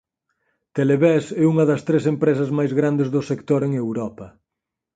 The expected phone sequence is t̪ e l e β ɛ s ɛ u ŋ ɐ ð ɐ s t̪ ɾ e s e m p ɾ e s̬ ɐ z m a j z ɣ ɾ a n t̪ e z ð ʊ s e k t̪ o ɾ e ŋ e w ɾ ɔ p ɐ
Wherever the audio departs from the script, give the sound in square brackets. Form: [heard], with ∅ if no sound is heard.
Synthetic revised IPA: t̪ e l e β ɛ s ɛ u ŋ ɐ ð ɐ s t̪ ɾ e s e m p ɾ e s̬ ɐ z m a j z ɣ ɾ a n [d̪] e z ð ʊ s e k t̪ o ɾ e ŋ e w ɾ ɔ p ɐ